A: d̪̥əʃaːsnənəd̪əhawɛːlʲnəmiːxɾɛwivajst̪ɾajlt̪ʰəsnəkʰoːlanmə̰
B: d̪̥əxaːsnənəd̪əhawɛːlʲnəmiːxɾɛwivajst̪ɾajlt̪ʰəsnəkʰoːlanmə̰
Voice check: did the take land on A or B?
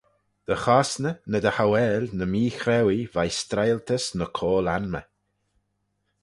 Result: B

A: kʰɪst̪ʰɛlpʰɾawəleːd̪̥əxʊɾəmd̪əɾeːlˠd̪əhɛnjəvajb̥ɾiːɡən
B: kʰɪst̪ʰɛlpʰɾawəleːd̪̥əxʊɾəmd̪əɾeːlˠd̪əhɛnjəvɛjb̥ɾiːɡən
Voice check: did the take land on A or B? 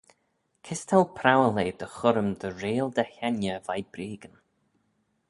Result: A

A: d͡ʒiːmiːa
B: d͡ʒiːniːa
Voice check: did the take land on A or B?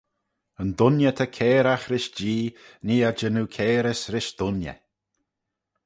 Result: B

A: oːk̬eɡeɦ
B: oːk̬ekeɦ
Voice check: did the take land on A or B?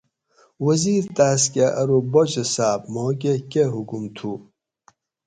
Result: B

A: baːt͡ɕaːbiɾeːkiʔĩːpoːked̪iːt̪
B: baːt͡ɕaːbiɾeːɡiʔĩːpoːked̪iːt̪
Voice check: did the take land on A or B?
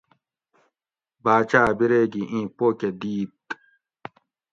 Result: B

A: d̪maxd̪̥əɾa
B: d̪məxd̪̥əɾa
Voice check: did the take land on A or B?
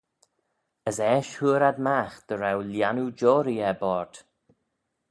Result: A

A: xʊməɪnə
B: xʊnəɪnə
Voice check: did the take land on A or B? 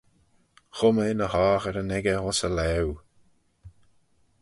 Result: A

